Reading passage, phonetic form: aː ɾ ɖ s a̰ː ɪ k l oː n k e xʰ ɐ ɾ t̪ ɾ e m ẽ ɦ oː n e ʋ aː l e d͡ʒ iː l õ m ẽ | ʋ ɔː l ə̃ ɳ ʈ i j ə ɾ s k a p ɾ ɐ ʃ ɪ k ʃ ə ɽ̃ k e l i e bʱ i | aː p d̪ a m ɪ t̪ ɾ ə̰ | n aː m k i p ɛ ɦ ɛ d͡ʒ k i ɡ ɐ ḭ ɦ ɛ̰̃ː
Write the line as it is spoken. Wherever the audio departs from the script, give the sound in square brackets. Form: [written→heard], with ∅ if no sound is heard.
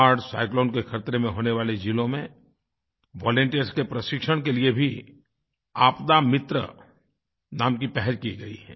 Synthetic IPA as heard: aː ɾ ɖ s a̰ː ɪ k l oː n k e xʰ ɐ ɾ t̪ ɾ e m ẽ ɦ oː n e ʋ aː l e d͡ʒ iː l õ m ẽ | ʋ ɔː l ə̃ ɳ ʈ i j ə ɾ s k [a→e] p ɾ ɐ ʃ ɪ k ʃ ə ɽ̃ k e l i e bʱ i | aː p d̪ a m ɪ t̪ ɾ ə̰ | n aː m k i p ɛ ɦ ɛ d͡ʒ k i ɡ ɐ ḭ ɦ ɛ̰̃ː